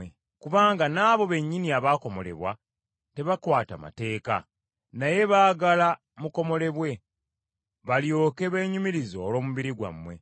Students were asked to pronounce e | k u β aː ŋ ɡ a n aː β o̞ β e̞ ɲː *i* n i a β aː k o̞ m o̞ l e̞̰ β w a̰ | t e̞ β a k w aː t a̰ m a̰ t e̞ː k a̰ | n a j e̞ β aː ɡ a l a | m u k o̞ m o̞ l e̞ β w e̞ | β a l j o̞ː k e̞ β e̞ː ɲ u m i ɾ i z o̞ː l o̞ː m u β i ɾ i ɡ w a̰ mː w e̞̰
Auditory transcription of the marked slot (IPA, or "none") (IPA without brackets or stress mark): i